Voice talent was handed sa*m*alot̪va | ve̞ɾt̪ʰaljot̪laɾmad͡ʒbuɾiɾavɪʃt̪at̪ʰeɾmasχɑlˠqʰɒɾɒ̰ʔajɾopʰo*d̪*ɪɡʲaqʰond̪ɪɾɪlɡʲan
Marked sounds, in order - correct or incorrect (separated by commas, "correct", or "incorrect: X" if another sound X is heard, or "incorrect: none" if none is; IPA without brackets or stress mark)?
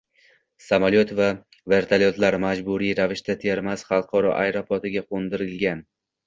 correct, incorrect: t̪